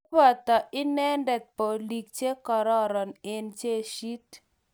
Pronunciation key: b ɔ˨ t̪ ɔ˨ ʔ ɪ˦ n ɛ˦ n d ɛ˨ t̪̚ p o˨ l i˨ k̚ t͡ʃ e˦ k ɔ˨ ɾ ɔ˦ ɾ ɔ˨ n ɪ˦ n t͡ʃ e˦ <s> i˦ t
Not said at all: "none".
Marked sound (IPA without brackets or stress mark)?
ʃ